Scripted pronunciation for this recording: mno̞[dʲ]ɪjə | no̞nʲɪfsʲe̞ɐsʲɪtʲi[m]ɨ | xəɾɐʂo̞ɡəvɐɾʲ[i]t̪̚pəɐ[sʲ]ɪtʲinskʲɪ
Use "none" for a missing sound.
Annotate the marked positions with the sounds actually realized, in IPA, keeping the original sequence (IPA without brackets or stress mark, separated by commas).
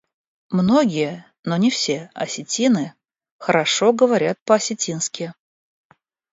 ɡʲ, n, a, sʲ